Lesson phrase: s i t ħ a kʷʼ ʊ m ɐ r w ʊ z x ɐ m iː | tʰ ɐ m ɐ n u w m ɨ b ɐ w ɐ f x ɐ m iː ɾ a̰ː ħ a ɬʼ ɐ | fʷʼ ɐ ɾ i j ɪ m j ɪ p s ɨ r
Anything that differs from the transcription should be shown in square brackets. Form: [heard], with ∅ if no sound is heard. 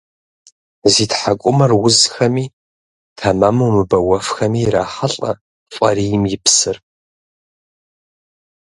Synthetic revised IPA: [z] i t ħ a kʷʼ ʊ m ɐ r w ʊ z x ɐ m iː | tʰ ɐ m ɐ [m] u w m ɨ b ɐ w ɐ f x ɐ m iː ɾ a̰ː ħ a ɬʼ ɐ | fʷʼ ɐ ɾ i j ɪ m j ɪ p s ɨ r